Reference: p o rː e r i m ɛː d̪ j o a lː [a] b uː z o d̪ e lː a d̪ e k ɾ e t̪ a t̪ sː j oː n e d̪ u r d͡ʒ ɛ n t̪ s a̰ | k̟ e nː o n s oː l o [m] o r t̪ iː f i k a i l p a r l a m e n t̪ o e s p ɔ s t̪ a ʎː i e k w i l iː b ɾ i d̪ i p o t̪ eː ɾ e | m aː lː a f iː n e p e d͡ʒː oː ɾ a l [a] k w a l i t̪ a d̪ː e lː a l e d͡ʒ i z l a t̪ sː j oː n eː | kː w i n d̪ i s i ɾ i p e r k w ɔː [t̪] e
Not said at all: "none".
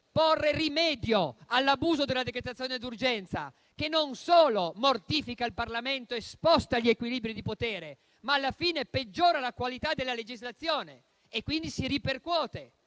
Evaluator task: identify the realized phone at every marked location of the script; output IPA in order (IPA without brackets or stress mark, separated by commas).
a, m, a, t̪